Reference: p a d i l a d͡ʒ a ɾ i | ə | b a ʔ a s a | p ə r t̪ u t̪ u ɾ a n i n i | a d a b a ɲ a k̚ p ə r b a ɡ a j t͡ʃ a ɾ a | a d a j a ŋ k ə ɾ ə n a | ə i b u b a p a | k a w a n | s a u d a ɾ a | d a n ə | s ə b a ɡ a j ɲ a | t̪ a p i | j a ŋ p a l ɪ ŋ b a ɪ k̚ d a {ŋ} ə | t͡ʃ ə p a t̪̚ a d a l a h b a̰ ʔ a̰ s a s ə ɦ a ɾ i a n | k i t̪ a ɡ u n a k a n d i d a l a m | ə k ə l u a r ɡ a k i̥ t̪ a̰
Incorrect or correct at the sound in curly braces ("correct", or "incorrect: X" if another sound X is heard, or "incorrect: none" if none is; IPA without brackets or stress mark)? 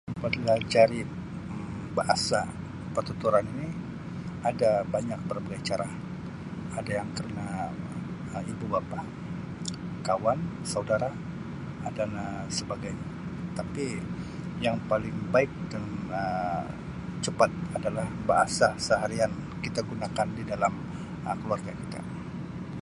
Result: incorrect: n